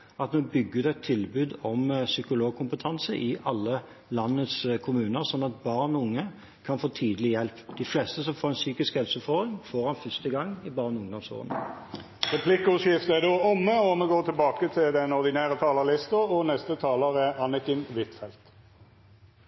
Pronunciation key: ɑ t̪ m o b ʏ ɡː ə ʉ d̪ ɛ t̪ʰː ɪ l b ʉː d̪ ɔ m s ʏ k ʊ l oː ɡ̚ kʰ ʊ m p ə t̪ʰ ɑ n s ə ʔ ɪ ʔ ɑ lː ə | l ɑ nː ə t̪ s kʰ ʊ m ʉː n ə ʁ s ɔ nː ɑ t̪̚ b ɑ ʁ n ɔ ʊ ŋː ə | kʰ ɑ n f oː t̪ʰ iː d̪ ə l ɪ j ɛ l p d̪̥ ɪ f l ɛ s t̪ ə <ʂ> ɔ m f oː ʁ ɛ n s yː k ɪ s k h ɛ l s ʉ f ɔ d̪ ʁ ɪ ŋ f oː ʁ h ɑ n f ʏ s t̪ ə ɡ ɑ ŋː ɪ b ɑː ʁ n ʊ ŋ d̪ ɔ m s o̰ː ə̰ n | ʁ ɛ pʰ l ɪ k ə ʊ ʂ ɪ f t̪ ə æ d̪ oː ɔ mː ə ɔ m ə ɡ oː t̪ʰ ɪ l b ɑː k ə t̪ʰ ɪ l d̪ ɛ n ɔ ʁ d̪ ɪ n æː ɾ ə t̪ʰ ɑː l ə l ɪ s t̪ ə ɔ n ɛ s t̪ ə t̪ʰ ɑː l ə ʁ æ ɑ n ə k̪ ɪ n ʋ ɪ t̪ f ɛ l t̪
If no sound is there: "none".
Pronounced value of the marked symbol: s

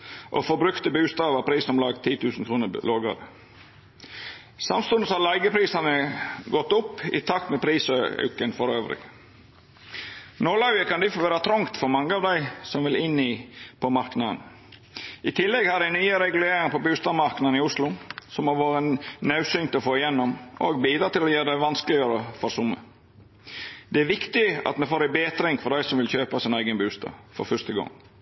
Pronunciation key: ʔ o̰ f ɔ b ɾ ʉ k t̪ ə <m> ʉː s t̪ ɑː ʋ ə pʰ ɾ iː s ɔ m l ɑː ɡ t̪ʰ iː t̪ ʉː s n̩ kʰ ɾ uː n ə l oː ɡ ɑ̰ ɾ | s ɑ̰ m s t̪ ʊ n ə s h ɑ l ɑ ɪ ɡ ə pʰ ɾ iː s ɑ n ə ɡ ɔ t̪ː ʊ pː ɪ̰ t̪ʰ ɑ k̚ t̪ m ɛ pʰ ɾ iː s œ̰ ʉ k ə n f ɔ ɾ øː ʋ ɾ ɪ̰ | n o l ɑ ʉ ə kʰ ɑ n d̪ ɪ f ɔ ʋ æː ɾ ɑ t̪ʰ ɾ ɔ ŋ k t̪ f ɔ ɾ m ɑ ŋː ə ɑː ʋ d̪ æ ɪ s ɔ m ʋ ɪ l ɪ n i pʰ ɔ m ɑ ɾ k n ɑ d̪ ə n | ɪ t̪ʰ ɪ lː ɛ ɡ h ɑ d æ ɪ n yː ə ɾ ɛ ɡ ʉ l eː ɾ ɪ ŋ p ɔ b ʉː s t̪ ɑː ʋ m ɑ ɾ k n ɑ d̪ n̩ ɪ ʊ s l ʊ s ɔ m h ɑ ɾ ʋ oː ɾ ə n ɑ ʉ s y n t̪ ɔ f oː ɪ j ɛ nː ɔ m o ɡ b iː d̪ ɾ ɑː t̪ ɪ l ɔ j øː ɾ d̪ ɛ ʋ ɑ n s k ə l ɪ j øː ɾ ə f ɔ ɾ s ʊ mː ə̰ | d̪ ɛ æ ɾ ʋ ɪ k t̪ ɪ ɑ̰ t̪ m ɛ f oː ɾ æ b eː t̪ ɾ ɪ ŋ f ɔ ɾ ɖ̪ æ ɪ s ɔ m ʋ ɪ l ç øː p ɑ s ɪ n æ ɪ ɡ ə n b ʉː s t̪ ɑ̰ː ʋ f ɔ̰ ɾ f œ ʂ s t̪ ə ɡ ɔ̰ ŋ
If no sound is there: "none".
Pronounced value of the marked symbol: b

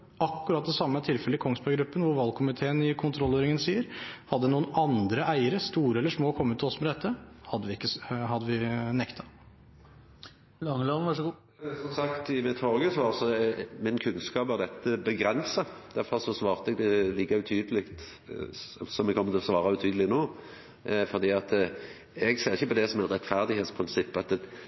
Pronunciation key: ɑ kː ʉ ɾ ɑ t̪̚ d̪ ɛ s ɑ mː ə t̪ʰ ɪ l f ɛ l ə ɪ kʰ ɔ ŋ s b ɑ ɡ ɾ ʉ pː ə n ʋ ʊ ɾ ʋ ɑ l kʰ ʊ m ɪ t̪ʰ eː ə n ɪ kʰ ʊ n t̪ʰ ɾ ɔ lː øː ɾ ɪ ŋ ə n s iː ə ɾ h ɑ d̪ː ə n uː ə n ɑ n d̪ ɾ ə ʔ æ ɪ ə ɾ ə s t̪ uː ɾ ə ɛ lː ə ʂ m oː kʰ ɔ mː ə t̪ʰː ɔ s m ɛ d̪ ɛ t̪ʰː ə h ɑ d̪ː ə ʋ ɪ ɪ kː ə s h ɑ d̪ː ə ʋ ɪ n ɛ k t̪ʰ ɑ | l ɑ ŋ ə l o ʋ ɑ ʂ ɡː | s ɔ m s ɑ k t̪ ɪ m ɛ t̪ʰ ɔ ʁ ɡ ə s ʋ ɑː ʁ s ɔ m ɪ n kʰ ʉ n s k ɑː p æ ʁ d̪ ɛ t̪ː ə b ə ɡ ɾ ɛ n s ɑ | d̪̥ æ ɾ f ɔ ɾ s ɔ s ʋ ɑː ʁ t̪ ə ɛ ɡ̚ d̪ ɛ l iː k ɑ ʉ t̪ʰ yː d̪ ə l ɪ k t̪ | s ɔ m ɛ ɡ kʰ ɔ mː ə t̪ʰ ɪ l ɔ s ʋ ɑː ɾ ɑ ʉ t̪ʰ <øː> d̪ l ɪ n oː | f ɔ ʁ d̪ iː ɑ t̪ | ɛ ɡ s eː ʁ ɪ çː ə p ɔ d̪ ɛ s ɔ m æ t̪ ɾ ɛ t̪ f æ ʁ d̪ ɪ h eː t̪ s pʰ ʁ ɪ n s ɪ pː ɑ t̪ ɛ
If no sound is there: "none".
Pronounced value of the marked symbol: yː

